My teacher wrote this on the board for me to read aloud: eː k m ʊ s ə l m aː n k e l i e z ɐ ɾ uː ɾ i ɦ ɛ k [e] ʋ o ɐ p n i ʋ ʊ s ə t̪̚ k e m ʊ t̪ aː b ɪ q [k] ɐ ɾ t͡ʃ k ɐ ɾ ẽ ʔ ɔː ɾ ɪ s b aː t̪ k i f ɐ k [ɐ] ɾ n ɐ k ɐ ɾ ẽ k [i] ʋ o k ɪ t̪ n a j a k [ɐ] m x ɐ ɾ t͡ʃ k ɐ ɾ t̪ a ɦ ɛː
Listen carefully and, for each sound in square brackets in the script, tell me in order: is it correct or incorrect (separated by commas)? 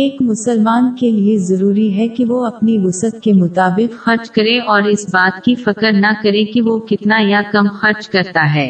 incorrect, incorrect, incorrect, correct, correct